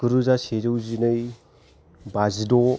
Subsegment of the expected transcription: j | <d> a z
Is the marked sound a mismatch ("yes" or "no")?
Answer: yes